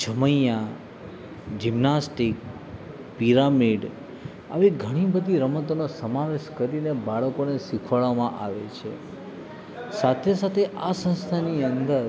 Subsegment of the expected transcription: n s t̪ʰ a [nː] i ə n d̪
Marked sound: incorrect: n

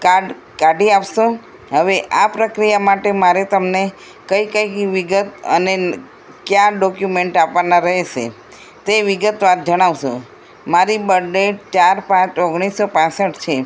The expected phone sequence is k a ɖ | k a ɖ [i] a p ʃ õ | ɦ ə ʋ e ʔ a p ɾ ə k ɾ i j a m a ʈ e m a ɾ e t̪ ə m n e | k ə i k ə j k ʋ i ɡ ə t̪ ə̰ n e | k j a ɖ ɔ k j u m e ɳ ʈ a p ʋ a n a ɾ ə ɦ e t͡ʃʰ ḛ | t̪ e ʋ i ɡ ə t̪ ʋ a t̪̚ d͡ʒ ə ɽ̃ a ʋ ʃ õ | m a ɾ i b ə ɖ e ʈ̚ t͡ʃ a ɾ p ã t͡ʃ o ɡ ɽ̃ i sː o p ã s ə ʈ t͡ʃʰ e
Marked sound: correct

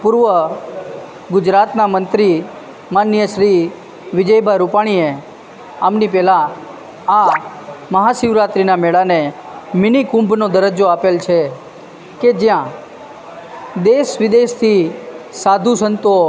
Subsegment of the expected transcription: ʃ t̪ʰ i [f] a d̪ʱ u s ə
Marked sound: incorrect: s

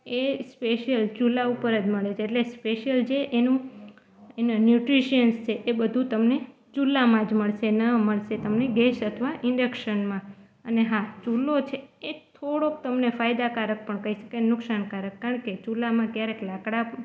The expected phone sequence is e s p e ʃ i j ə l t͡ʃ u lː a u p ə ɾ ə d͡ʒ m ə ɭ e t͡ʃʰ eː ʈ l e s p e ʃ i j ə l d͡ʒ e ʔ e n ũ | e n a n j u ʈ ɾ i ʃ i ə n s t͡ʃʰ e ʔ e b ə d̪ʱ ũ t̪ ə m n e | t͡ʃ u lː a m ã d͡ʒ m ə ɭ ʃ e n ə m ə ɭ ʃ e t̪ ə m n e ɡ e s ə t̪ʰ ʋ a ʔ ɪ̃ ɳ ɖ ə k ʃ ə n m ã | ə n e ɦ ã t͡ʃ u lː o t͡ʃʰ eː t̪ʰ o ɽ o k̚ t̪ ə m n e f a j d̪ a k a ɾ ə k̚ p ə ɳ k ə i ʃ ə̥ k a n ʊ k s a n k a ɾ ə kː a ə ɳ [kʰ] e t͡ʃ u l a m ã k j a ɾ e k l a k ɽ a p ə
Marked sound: incorrect: k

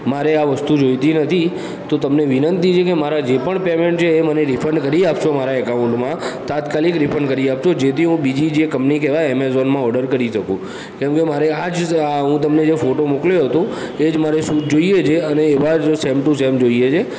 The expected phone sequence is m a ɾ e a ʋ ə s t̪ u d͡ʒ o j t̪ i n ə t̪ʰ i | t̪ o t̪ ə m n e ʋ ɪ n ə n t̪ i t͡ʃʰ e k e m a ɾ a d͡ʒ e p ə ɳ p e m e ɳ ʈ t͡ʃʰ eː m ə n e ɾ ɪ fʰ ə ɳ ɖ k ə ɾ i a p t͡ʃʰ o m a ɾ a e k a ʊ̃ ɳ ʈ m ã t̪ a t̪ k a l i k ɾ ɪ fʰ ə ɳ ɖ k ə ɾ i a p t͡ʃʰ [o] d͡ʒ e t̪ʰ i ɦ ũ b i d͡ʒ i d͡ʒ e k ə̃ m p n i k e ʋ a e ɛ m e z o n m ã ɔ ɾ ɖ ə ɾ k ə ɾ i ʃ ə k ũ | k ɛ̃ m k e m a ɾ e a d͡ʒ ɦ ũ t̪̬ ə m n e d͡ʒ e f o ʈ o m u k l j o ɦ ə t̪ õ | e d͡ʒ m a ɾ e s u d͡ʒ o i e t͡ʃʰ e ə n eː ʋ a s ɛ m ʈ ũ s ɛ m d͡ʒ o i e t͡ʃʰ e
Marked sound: correct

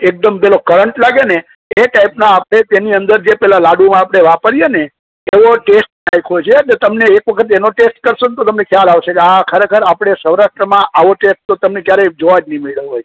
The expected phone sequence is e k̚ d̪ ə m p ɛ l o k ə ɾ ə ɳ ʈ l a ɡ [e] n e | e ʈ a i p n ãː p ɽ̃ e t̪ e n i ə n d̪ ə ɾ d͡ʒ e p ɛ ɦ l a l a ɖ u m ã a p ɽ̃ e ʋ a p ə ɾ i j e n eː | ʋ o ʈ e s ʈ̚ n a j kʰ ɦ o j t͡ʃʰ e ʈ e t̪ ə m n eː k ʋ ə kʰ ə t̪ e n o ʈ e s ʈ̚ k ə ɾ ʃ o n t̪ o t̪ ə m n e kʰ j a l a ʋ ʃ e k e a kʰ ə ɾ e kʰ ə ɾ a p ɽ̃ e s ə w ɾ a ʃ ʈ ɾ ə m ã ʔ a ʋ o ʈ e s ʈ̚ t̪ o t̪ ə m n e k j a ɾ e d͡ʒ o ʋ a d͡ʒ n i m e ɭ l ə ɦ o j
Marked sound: correct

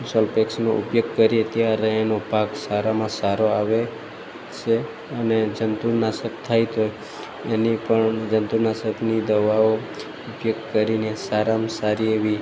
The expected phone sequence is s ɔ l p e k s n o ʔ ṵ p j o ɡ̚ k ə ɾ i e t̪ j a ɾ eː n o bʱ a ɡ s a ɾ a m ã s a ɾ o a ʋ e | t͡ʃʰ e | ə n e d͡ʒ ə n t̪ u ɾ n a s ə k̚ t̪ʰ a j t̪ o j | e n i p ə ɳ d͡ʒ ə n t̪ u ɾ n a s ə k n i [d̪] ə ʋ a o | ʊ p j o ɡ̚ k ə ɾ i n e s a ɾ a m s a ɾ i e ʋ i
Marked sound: correct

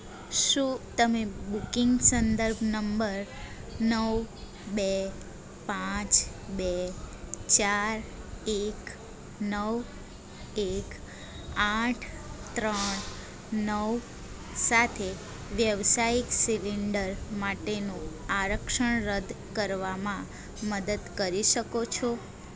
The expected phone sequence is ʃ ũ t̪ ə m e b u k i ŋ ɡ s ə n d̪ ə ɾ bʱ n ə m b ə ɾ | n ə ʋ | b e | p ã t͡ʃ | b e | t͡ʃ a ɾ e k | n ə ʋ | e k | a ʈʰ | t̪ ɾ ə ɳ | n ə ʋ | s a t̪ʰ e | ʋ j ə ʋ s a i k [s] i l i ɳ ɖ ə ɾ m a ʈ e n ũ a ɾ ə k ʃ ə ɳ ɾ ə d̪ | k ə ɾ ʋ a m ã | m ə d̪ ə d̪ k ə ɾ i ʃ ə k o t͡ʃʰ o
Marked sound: correct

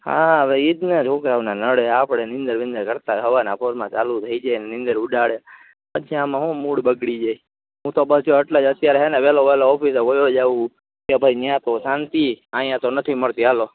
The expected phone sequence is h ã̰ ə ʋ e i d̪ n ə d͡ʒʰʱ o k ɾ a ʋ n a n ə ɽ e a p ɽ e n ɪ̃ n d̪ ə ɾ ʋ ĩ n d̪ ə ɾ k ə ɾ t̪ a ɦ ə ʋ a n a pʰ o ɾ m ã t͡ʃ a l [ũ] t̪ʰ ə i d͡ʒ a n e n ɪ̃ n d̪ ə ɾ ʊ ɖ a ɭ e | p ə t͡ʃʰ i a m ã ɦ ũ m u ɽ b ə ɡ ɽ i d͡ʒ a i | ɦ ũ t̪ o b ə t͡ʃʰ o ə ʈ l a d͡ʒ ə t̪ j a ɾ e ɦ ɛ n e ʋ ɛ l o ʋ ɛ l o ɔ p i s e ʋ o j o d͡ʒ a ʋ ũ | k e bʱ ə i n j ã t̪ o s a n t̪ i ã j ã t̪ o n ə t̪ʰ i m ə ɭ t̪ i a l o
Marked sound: incorrect: u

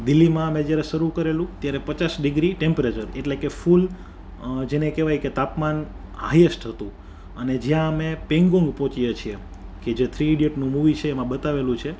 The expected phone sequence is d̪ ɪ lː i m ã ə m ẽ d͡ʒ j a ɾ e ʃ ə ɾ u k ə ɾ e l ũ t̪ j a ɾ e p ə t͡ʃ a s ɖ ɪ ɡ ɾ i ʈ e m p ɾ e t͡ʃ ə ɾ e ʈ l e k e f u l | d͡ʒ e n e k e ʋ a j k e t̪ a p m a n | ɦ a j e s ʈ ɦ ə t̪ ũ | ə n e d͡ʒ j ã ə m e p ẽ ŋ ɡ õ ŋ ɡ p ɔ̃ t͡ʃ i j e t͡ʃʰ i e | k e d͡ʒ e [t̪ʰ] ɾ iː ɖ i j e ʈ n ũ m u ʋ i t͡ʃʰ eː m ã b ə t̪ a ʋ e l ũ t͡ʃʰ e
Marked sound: correct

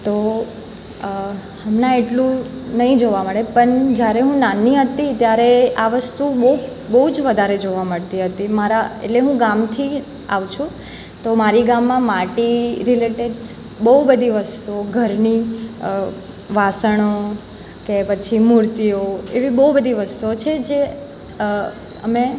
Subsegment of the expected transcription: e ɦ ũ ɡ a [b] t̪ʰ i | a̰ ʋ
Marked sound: incorrect: m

